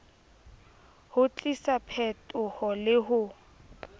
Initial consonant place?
glottal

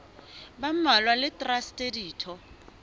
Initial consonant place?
labial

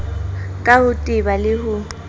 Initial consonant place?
velar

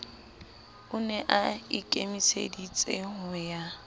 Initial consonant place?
alveolar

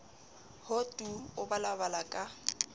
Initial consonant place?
glottal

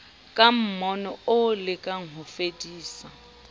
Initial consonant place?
velar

